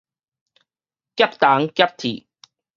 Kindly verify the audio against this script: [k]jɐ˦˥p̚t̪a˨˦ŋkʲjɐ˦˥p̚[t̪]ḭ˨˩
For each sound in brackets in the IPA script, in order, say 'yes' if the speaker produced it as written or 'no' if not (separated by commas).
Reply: yes, no